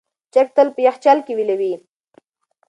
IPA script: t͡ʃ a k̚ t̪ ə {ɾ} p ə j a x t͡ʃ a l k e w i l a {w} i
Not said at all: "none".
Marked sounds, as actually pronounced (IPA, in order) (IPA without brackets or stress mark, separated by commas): l, w